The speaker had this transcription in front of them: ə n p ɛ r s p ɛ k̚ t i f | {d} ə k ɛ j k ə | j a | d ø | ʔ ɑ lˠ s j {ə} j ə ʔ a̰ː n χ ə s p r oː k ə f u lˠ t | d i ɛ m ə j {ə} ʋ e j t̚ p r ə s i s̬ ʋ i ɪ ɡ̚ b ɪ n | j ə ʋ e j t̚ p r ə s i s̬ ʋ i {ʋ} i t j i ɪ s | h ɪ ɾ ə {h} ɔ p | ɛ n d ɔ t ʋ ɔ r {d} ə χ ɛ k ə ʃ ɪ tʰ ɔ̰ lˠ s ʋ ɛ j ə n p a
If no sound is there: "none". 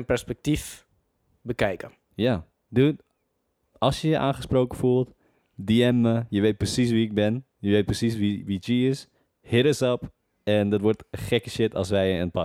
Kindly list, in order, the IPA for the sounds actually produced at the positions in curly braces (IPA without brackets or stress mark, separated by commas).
b, ə, ə, ʋ, s, t